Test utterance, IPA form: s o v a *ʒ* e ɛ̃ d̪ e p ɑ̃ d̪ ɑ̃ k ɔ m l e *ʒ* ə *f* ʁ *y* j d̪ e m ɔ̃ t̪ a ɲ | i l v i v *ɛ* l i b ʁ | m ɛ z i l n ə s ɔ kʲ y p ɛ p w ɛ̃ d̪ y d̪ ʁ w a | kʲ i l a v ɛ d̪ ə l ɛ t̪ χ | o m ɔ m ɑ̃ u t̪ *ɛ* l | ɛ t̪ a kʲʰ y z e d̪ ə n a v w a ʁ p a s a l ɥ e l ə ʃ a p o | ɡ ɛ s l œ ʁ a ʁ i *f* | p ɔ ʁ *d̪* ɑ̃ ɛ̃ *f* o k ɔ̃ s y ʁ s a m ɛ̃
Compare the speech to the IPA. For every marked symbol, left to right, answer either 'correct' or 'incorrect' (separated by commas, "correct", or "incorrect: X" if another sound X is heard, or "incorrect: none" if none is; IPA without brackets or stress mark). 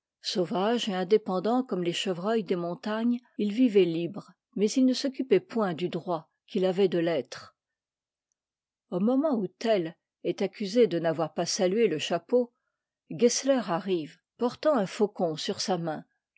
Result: correct, incorrect: ʃ, incorrect: v, incorrect: œ, correct, correct, incorrect: v, incorrect: t̪, correct